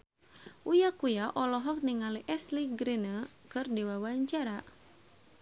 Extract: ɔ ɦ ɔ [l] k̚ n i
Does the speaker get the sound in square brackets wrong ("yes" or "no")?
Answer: yes